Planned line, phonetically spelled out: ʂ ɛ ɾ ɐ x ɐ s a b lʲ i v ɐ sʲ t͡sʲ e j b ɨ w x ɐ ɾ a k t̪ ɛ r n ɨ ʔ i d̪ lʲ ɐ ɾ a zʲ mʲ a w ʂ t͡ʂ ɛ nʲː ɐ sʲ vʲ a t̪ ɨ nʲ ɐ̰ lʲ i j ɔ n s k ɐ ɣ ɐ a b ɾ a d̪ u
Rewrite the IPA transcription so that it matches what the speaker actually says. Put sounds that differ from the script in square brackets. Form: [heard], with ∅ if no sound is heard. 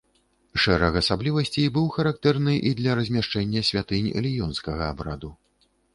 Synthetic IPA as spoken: ʂ ɛ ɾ ɐ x ɐ s a b lʲ i v ɐ sʲ t͡sʲ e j b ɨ w x ɐ ɾ a k t̪ ɛ r n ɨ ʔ i d̪ lʲ ɐ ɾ [ɐ] zʲ mʲ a [∅] ʂ t͡ʂ ɛ nʲː ɐ sʲ vʲ a t̪ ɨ nʲ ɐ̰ lʲ i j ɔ n s k ɐ ɣ ɐ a b ɾ a d̪ u